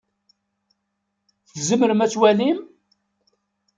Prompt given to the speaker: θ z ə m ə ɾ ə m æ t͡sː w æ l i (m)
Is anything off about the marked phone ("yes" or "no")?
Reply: no